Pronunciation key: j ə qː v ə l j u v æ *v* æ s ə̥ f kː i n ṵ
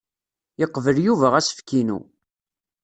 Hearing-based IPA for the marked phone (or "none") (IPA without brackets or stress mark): ʁ